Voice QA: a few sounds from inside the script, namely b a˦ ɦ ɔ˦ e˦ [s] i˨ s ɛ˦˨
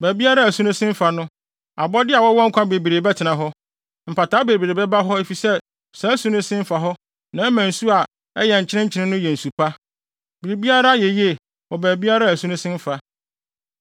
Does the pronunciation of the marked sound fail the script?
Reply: yes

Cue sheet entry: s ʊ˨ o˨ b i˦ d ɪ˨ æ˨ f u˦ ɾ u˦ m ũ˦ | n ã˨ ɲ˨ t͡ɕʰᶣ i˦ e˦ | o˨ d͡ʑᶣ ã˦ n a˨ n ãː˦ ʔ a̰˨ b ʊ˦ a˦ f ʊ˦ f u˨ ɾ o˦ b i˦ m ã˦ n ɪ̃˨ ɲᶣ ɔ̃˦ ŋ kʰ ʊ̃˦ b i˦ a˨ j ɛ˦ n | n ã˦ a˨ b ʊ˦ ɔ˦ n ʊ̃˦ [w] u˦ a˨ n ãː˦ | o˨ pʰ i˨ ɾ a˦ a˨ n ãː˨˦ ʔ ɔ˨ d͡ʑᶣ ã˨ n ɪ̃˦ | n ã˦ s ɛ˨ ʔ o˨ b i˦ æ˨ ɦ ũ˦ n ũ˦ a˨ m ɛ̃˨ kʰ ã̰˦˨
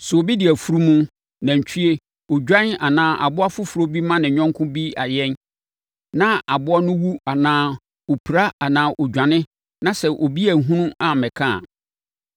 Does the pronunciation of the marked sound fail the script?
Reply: no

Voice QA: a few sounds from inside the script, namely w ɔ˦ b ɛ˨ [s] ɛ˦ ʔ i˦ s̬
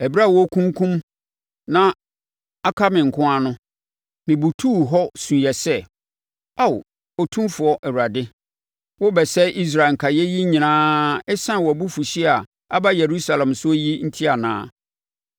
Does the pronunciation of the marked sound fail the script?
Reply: no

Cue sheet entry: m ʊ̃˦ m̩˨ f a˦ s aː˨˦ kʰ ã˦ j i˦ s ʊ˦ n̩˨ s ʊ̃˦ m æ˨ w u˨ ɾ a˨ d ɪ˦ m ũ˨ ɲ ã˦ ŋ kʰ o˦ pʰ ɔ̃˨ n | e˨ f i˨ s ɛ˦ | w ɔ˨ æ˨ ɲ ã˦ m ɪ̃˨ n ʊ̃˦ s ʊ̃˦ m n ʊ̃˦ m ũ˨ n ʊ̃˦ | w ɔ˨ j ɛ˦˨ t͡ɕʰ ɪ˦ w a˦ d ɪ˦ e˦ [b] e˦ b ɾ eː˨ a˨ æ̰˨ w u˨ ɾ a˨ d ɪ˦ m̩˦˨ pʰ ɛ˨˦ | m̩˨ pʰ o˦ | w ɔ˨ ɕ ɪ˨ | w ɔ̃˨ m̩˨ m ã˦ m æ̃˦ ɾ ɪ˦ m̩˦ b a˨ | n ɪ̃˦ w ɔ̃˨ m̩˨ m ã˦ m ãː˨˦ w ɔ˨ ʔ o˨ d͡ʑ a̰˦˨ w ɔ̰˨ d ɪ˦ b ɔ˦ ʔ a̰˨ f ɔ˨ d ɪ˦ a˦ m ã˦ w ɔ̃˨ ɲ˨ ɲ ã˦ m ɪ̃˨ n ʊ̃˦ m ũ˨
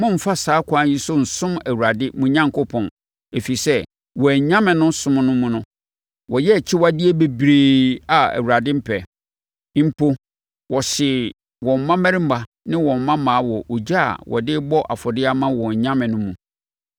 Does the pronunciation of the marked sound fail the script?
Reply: no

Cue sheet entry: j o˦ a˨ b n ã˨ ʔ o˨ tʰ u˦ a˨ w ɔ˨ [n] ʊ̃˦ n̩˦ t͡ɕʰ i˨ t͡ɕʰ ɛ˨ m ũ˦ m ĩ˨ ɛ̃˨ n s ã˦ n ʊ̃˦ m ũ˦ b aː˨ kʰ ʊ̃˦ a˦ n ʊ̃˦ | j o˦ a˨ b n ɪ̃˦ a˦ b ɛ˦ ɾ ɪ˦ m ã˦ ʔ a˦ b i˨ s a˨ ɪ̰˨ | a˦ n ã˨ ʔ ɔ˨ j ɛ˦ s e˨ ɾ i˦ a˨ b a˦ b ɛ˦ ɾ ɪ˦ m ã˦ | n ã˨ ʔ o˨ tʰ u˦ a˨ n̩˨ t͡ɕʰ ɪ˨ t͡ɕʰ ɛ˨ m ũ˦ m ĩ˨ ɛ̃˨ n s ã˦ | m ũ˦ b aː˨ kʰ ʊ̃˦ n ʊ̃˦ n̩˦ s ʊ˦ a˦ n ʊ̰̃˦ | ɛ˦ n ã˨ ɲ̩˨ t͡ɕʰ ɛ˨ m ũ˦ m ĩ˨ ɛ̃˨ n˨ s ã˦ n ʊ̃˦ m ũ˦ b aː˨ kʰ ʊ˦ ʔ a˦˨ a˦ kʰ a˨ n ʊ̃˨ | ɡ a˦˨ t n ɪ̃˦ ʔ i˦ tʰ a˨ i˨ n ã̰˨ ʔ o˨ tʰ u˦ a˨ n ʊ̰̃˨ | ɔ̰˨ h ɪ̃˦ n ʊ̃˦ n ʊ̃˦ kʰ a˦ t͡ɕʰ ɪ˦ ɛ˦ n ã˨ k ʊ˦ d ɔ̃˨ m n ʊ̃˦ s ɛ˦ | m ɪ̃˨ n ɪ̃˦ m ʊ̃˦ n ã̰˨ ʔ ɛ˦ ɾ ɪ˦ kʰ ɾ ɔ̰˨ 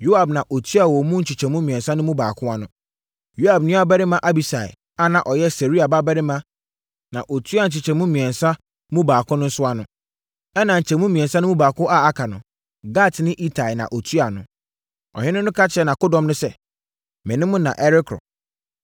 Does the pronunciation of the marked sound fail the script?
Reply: yes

